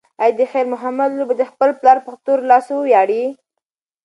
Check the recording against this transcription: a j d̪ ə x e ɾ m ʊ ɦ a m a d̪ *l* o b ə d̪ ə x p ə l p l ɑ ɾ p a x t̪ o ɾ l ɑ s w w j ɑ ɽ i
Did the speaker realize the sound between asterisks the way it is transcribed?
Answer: yes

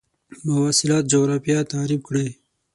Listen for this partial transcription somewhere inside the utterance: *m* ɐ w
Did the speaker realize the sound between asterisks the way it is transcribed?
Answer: yes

